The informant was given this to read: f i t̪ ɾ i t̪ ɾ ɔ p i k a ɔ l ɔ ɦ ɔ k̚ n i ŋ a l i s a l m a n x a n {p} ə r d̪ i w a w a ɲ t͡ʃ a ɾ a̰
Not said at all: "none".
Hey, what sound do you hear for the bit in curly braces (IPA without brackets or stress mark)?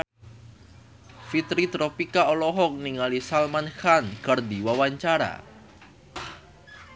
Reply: k